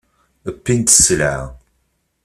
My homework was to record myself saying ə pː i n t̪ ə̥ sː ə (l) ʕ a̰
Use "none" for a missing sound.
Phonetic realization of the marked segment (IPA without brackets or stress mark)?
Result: l